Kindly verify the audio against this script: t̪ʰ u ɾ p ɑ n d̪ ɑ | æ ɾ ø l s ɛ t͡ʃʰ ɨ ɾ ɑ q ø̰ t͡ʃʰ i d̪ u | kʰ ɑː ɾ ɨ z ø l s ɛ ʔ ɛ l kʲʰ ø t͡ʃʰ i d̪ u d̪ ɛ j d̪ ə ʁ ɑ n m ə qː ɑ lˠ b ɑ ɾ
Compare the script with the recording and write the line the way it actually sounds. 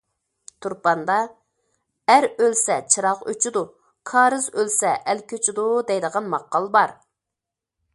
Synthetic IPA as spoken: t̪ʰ u ɾ p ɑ n d̪ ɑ | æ ɾ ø l s ɛ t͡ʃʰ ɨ ɾ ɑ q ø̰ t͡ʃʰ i d̪ u | kʰ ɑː ɾ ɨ z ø l s ɛ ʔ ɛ l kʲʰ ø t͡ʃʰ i d̪ u d̪ ɛ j d̪ ə ʁ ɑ n m ɑ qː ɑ lˠ b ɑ ɾ